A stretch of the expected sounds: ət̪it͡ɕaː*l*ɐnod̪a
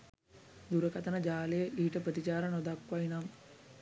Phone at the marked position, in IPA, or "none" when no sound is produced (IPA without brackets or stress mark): ɾ